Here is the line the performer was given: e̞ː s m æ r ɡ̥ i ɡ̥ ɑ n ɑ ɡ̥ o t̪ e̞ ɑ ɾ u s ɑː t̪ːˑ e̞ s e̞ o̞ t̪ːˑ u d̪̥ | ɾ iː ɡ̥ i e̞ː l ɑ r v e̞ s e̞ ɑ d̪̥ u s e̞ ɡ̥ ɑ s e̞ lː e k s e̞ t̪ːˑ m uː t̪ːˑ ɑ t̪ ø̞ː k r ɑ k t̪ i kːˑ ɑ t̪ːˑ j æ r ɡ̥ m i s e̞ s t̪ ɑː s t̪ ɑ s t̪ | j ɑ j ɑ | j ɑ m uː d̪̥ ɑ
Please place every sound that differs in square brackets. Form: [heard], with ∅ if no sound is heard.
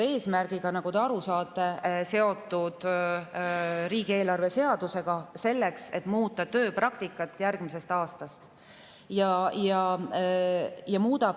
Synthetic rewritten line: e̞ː s m æ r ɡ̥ i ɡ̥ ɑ n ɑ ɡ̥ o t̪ e̞ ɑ ɾ u s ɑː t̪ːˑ e̞ s e̞ o̞ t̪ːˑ u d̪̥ | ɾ iː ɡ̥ i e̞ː l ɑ r v e̞ s e̞ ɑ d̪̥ u s e̞ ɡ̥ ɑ s e̞ lː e k s e̞ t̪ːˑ m uː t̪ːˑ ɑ t̪ ø̞ː [p] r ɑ k t̪ i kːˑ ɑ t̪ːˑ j æ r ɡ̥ m i s e̞ s t̪ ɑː s t̪ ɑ s t̪ | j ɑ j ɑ | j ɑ m uː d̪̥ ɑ